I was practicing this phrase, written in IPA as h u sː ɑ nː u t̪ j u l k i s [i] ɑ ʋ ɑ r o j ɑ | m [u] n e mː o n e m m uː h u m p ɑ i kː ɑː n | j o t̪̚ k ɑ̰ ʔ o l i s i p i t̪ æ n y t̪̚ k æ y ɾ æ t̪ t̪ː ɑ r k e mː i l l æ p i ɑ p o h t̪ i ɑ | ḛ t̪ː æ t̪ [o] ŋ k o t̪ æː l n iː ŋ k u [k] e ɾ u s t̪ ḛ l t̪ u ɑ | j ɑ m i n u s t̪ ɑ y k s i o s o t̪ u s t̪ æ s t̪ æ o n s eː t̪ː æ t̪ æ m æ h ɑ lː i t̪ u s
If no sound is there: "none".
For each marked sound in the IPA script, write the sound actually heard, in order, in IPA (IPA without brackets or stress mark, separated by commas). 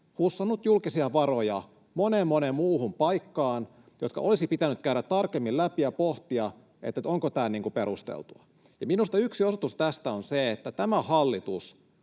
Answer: i, o, o, p